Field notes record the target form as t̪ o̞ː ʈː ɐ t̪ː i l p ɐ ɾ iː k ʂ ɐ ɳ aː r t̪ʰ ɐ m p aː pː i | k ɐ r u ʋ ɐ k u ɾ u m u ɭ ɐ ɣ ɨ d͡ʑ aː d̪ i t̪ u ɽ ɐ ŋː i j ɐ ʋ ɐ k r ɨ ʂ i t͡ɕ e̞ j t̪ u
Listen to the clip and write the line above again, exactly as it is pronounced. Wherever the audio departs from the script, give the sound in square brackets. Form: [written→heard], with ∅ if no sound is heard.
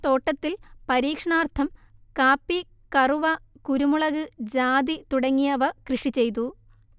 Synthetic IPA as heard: t̪ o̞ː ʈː ɐ t̪ː i l p ɐ ɾ iː k ʂ ɐ ɳ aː r t̪ʰ ɐ m [p→k] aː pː i | k ɐ r u ʋ ɐ k u ɾ u m u ɭ ɐ ɣ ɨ d͡ʑ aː d̪ i t̪ u ɽ ɐ ŋː i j ɐ ʋ ɐ k r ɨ ʂ i t͡ɕ e̞ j t̪ u

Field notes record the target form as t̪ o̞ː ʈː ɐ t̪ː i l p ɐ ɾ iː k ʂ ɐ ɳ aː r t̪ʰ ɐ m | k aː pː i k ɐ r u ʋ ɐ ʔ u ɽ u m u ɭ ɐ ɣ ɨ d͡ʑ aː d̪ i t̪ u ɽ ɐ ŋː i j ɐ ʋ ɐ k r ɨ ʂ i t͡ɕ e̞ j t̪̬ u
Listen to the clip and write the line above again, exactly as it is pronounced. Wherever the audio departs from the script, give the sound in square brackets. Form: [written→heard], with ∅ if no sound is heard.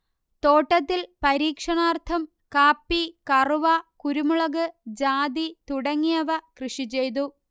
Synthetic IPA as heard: t̪ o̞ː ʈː ɐ t̪ː i l p ɐ ɾ iː k ʂ ɐ ɳ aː r t̪ʰ ɐ m | k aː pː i k ɐ r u ʋ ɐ [ʔ→k] u [ɽ→ɾ] u m u ɭ ɐ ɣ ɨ d͡ʑ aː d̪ i t̪ u ɽ ɐ ŋː i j ɐ ʋ ɐ k r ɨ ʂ i t͡ɕ e̞ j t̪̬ u

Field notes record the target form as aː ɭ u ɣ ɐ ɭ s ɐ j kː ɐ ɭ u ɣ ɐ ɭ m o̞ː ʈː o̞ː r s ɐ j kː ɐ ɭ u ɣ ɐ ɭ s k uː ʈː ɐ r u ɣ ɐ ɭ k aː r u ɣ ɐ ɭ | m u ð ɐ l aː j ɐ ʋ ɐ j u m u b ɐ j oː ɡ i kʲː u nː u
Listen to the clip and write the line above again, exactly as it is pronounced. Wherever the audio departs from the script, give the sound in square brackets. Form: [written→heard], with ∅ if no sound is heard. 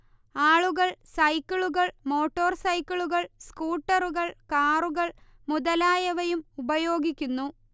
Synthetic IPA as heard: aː ɭ u ɣ ɐ ɭ s ɐ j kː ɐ ɭ u ɣ ɐ ɭ m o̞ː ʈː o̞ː r s ɐ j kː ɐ ɭ u ɣ ɐ ɭ s k uː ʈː ɐ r u ɣ ɐ ɭ k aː r u ɣ ɐ ɭ | m u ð ɐ l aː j ɐ ʋ ɐ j u m u b ɐ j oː ɡ i kʲː u nː u

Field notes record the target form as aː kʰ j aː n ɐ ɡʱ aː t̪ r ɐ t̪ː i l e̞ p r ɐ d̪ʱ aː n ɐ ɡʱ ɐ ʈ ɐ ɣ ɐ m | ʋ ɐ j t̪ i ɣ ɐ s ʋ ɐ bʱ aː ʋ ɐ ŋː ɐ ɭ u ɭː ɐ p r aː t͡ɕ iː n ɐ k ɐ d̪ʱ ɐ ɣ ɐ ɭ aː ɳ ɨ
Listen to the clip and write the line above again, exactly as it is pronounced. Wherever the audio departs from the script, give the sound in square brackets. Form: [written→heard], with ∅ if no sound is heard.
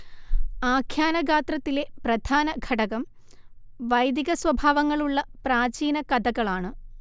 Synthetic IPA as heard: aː kʰ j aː n ɐ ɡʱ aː t̪ r ɐ t̪ː i l e̞ p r ɐ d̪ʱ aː n ɐ ɡʱ ɐ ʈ ɐ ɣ ɐ m | ʋ ɐ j [t̪→d̪] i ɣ ɐ s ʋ ɐ bʱ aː ʋ ɐ ŋː ɐ ɭ u ɭː ɐ p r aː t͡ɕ iː n ɐ k ɐ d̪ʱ ɐ ɣ ɐ ɭ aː ɳ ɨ

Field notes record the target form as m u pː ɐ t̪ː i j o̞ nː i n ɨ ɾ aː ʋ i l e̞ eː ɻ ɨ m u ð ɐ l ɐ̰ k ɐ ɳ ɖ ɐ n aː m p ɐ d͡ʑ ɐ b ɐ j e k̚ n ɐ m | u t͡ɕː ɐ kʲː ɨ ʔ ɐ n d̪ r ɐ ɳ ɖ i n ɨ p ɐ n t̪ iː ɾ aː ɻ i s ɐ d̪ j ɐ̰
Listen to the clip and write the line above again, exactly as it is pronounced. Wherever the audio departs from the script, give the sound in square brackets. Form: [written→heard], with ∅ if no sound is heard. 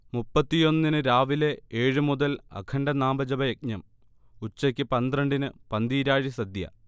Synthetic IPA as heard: m u pː ɐ t̪ː i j o̞ nː i n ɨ ɾ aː ʋ i l e̞ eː ɻ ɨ m u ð ɐ l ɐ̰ [k→kʰ] ɐ ɳ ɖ ɐ n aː m [p→b] ɐ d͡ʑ ɐ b ɐ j e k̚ [n→ɲ] ɐ m | u t͡ɕː ɐ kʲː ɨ [ʔ→p] ɐ n d̪ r ɐ ɳ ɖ i n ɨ p ɐ n [t̪→d̪] iː ɾ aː ɻ i s ɐ d̪ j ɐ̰

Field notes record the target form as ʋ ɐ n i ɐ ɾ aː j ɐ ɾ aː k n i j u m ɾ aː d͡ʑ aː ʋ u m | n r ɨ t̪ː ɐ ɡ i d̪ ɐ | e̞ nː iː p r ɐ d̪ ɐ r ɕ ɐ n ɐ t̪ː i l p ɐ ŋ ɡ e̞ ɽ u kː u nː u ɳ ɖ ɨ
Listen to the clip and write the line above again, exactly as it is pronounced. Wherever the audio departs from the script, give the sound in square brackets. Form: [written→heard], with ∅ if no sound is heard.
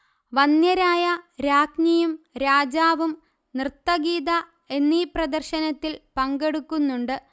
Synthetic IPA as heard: ʋ ɐ n [i→j] ɐ ɾ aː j ɐ ɾ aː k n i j u m ɾ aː d͡ʑ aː ʋ u m | n r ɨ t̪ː ɐ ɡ [i→iː] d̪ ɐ | e̞ nː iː p r ɐ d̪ ɐ r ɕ ɐ n ɐ t̪ː i l p ɐ ŋ ɡ e̞ ɽ u kː u nː u ɳ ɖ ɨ

